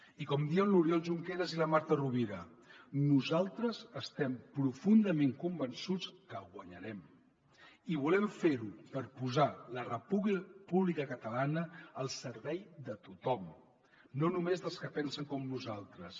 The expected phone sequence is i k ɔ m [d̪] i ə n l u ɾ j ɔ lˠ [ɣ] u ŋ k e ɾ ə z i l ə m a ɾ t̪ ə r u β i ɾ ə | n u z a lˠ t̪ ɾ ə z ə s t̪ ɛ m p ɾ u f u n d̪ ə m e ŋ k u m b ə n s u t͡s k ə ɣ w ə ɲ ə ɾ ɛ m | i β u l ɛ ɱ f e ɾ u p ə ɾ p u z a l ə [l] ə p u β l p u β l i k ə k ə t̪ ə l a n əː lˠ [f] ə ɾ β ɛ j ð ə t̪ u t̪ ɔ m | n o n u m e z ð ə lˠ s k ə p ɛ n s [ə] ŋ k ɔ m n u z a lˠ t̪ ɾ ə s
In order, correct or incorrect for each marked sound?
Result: correct, incorrect, incorrect, incorrect, correct

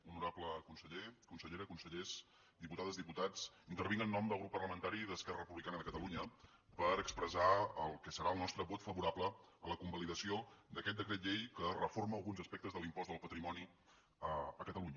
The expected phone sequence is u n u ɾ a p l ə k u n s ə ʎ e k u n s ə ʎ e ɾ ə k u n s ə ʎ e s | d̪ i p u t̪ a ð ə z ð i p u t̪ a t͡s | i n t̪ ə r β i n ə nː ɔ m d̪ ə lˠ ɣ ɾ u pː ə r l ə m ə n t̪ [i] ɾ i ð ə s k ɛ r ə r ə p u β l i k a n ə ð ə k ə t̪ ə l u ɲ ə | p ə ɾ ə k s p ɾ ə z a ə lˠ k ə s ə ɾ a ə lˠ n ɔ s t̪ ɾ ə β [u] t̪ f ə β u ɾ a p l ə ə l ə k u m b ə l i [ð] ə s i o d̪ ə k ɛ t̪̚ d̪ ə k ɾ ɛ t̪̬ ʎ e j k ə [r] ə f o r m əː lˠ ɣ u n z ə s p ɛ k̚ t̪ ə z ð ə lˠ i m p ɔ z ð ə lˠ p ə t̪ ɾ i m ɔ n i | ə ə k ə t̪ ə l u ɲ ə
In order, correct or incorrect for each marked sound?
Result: incorrect, incorrect, correct, correct

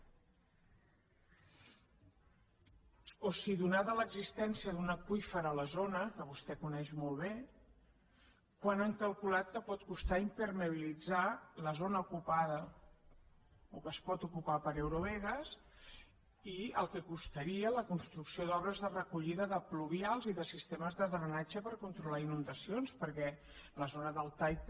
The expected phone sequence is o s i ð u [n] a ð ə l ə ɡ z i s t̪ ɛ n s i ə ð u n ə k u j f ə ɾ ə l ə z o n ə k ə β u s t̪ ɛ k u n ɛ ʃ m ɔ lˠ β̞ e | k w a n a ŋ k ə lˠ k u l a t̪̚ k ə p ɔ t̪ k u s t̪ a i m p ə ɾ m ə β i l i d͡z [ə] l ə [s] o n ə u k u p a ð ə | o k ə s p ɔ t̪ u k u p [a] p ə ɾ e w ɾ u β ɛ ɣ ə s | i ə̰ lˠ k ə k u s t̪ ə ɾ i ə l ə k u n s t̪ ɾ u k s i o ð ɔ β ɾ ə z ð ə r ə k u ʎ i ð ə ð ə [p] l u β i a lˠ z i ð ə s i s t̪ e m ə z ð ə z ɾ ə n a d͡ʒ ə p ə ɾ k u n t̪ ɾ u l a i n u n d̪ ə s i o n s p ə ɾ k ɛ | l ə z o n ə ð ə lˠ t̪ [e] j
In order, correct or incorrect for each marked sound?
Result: correct, incorrect, incorrect, correct, correct, incorrect

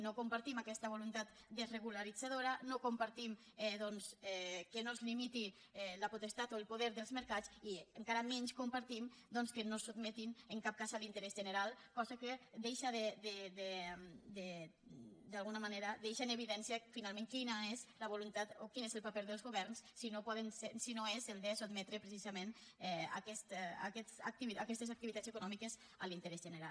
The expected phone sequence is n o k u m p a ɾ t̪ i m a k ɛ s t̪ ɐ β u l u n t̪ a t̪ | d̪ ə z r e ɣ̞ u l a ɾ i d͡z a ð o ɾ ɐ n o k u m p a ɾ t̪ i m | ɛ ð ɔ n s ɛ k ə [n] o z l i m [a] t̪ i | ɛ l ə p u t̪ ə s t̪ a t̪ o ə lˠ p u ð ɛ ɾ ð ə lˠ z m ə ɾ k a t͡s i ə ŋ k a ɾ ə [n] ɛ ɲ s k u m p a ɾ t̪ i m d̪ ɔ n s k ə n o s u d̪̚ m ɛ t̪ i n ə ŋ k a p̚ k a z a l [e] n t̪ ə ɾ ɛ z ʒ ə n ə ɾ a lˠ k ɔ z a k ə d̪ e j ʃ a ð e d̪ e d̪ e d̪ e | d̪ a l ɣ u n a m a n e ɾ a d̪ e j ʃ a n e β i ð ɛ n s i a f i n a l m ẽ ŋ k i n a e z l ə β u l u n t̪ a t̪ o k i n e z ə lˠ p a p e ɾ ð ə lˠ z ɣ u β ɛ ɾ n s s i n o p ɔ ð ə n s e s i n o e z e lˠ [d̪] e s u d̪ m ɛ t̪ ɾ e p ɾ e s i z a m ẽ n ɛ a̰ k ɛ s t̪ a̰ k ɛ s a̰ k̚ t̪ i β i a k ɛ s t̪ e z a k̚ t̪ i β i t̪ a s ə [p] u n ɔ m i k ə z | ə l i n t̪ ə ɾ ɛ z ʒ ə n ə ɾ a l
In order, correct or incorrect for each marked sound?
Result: correct, incorrect, incorrect, incorrect, correct, incorrect

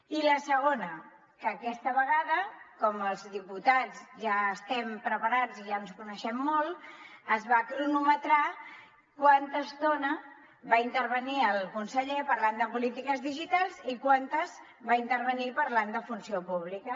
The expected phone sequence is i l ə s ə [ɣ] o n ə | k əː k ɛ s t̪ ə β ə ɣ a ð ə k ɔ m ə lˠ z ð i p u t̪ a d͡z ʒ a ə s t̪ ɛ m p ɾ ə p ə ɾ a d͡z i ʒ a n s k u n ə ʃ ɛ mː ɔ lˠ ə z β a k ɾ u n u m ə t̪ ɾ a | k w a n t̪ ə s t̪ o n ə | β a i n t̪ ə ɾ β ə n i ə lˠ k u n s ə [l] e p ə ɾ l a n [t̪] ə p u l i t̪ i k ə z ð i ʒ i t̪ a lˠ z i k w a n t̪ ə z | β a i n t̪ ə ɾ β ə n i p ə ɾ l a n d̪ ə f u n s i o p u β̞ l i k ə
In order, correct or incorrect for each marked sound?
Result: correct, incorrect, incorrect

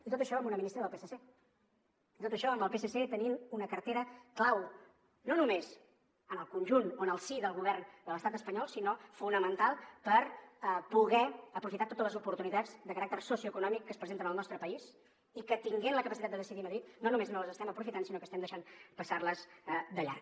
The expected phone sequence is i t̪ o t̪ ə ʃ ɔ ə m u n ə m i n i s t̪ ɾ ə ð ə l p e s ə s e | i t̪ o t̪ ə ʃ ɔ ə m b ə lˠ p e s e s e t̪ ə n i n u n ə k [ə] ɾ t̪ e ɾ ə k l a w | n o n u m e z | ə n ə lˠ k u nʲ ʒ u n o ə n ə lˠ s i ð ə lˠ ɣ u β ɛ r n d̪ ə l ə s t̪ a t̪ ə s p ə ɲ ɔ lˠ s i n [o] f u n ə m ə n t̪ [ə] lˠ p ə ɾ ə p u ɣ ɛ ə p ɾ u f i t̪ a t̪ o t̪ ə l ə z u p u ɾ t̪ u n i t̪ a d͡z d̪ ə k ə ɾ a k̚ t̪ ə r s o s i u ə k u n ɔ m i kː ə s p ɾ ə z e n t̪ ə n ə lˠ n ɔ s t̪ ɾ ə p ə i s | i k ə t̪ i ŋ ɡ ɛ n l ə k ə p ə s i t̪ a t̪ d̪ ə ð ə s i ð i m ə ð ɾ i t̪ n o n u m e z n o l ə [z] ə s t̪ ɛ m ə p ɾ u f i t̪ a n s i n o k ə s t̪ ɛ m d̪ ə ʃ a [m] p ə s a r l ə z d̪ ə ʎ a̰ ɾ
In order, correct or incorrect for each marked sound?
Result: correct, correct, incorrect, correct, incorrect

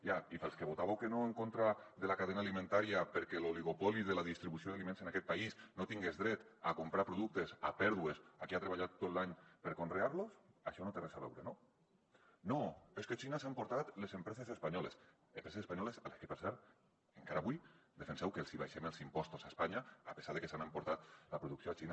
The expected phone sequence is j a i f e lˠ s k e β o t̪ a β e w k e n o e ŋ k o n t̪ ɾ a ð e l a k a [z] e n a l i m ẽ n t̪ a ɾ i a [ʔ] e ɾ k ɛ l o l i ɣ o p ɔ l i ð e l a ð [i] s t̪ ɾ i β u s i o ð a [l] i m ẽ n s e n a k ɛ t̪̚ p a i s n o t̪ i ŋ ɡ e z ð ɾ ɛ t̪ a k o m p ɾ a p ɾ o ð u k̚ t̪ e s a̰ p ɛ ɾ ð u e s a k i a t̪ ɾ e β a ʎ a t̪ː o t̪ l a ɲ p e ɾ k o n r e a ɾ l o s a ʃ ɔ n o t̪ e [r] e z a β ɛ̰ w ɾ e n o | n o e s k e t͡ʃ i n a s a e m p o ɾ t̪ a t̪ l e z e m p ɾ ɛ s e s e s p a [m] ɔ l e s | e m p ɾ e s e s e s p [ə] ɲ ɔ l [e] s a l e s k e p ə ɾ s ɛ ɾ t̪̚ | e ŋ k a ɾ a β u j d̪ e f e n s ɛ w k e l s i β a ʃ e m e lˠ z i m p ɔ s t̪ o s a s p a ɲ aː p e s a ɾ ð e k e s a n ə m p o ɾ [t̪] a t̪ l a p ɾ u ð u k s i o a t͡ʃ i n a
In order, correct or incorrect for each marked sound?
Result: incorrect, incorrect, correct, correct, correct, incorrect, incorrect, correct, correct

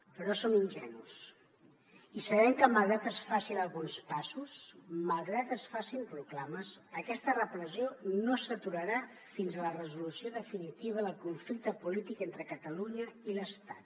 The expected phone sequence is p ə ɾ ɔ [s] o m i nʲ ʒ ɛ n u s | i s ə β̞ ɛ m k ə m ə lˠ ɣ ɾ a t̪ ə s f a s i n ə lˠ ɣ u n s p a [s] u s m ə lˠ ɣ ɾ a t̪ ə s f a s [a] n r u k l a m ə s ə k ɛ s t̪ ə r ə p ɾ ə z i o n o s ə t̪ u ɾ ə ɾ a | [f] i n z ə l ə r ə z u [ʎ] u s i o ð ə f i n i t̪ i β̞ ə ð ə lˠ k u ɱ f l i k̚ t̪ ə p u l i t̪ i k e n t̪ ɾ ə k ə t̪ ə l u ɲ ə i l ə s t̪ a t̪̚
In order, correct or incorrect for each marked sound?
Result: correct, correct, incorrect, correct, incorrect

